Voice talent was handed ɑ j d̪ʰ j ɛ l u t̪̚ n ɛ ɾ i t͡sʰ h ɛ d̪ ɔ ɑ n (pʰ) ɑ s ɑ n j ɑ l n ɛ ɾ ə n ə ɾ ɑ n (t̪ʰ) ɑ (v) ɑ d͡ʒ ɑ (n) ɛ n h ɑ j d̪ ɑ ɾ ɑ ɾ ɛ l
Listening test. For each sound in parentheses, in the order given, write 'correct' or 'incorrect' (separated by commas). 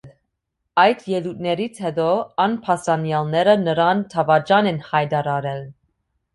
correct, correct, correct, correct